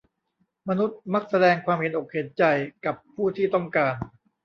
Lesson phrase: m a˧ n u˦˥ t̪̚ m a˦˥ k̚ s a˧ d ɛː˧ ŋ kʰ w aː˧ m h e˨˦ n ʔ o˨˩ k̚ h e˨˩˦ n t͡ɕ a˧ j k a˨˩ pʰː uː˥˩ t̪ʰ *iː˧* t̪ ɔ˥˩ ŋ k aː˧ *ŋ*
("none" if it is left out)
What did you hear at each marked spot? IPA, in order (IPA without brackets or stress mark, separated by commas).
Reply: iː˥˩, n